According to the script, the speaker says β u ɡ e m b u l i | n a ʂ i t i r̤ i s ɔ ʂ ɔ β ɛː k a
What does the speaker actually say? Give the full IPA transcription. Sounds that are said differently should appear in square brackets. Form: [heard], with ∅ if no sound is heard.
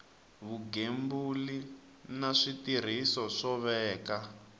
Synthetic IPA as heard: β u ɡ e m b u l i | n a ʂ i t i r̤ i s ɔ ʂ ɔ β ɛː k a